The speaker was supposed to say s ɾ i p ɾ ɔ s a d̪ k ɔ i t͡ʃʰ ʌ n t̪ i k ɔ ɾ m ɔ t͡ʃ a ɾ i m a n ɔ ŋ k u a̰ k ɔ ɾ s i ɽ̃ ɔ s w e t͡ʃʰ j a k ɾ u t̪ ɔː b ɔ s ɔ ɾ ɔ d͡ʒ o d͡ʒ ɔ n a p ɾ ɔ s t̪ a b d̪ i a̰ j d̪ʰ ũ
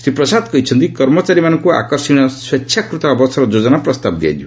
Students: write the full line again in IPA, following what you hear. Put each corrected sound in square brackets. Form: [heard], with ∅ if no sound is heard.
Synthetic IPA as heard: s ɾ i p ɾ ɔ s a d̪ k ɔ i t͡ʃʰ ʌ n t̪ i k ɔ ɾ m ɔ t͡ʃ a ɾ i m a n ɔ ŋ k u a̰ k ɔ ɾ s i ɽ̃ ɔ s w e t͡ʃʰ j a k ɾ u t̪ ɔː b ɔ s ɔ ɾ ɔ d͡ʒ o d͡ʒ ɔ n a p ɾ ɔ s t̪ a b d̪ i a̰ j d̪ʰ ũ

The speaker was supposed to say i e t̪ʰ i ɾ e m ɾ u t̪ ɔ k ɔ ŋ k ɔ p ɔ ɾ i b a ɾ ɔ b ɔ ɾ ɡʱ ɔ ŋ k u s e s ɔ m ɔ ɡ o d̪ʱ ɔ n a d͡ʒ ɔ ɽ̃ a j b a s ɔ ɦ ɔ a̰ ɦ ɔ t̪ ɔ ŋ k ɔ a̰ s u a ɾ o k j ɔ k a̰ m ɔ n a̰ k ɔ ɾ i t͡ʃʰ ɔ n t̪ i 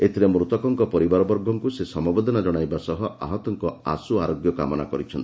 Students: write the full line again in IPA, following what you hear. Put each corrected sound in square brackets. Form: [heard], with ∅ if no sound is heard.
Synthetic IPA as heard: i e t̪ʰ i ɾ e m ɾ u t̪ ɔ k ɔ ŋ k ɔ p ɔ ɾ i b a ɾ ɔ b ɔ ɾ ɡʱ ɔ ŋ k u s e s ɔ m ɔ [b] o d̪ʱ ɔ n a d͡ʒ ɔ ɽ̃ a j b a s ɔ ɦ ɔ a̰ ɦ ɔ t̪ ɔ ŋ k ɔ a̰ s u a ɾ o [ɡ] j ɔ k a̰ m ɔ n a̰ k ɔ ɾ i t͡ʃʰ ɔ n t̪ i

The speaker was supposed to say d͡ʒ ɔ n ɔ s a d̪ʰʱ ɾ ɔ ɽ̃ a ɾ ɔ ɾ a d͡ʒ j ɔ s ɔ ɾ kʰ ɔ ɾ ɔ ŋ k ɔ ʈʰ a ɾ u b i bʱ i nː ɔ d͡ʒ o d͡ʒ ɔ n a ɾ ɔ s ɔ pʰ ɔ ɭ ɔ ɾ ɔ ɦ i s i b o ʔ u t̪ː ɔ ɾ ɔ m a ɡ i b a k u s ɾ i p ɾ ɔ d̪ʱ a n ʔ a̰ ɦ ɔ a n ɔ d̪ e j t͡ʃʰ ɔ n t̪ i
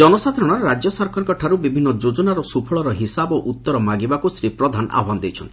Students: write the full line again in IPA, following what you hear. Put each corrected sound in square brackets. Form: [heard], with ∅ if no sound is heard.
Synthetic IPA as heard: d͡ʒ ɔ n ɔ s a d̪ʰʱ ɾ ɔ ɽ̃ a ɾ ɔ ɾ a d͡ʒ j ɔ s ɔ ɾ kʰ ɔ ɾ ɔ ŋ k ɔ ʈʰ a ɾ u b i bʱ i nː ɔ d͡ʒ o d͡ʒ ɔ n a ɾ ɔ s [u] pʰ ɔ ɭ ɔ ɾ ɔ ɦ i s [a] b o ʔ u t̪ː ɔ ɾ ɔ m a ɡ i b a k u s ɾ i p ɾ ɔ d̪ʱ a n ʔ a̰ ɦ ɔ a n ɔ d̪ e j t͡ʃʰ ɔ n t̪ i

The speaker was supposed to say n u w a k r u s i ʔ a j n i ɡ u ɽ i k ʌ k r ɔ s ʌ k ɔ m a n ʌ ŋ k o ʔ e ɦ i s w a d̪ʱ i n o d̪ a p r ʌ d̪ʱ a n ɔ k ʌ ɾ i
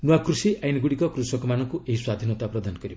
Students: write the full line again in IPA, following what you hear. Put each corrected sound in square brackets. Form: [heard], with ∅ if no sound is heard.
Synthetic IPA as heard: n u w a k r u s i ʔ a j n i ɡ u ɽ i k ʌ k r [u] s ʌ k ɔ m a n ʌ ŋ k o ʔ e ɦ i s w a d̪ʱ i n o [t̪] a p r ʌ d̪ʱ a n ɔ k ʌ ɾ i

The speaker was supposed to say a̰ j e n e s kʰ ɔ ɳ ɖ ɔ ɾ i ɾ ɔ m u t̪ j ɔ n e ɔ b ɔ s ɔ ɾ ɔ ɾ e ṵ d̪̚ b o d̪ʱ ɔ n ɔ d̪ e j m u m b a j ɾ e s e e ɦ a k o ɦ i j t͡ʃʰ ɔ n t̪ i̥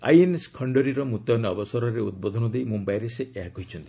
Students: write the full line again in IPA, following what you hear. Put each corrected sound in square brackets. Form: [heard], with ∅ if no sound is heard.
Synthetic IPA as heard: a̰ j e n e s kʰ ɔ ɳ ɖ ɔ ɾ i ɾ ɔ m u t̪ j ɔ n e ɔ b ɔ s ɔ ɾ ɔ ɾ e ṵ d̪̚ b o d̪ʱ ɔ n ɔ d̪ e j m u m b a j ɾ e s e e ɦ a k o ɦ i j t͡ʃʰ ɔ n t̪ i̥

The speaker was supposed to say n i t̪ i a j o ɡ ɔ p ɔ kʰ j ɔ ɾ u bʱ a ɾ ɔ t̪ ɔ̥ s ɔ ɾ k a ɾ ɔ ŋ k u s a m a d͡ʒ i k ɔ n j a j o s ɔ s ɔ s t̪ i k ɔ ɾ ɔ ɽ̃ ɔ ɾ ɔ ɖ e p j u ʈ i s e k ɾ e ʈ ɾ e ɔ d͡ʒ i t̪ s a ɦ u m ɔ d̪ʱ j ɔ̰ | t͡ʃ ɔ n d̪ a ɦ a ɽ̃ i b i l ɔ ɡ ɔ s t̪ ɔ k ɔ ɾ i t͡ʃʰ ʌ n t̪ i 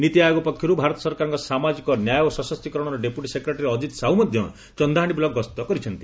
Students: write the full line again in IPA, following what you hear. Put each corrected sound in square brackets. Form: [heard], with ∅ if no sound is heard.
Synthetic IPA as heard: n i t̪ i a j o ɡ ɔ p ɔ kʰ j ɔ ɾ u bʱ a ɾ ɔ t̪ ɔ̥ s ɔ ɾ k a ɾ ɔ ŋ k [ɔ] s a m a d͡ʒ i k ɔ n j a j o s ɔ s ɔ s t̪ i k ɔ ɾ ɔ ɽ̃ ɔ ɾ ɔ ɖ e p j u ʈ i s e k ɾ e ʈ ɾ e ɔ d͡ʒ i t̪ s a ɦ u m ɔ d̪ʱ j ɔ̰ | t͡ʃ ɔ n d̪ a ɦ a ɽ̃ i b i l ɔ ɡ ɔ s t̪ ɔ k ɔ ɾ i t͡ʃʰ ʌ n t̪ i

